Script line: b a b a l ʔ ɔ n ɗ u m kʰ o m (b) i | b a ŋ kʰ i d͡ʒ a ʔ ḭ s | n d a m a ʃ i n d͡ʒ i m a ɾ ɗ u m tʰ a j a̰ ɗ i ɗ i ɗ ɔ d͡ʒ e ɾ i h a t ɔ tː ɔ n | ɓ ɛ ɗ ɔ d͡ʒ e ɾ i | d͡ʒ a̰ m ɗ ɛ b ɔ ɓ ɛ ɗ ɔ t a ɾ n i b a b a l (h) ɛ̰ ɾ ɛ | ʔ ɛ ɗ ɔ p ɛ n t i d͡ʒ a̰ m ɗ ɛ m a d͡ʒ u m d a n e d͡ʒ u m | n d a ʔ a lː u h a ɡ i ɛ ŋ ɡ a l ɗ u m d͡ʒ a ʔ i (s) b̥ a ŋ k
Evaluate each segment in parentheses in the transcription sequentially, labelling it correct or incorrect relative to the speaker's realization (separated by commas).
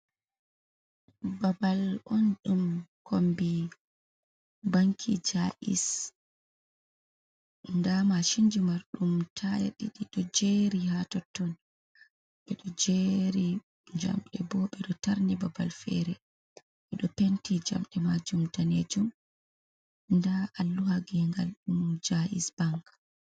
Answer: correct, incorrect, correct